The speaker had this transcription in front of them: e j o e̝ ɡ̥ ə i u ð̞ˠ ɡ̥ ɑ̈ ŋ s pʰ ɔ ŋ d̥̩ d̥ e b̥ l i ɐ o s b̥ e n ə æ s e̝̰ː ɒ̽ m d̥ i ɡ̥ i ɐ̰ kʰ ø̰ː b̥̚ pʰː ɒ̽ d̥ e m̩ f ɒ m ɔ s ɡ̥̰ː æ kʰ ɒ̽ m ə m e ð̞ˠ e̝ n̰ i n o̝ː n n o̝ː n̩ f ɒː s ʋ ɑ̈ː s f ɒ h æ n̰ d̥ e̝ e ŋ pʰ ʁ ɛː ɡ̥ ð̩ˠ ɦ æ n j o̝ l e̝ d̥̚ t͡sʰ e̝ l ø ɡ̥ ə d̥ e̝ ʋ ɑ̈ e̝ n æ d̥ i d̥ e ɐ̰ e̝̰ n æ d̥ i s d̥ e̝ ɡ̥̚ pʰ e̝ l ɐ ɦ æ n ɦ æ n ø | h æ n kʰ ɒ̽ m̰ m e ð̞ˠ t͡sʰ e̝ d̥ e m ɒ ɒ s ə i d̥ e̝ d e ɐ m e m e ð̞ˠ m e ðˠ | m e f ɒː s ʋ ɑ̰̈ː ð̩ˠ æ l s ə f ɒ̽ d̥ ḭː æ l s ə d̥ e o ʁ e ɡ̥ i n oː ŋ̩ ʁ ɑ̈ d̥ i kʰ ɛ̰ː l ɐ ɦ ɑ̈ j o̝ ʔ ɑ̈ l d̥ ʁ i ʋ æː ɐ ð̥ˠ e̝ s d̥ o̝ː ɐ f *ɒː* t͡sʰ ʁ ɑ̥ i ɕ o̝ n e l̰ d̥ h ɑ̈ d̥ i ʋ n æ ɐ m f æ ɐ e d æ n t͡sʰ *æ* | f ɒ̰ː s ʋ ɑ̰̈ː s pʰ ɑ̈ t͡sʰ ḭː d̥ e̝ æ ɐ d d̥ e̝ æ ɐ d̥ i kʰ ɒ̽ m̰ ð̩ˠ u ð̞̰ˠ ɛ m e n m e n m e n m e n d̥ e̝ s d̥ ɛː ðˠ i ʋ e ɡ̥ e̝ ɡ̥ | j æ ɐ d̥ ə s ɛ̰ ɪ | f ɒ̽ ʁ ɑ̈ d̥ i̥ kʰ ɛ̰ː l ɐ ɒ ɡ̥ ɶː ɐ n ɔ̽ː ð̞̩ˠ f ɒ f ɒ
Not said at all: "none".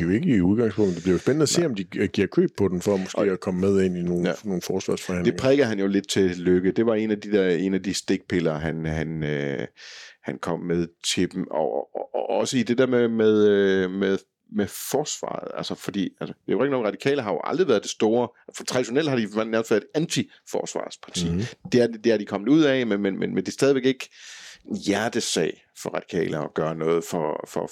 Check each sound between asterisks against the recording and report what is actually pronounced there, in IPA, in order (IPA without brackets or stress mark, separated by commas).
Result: ɒ, i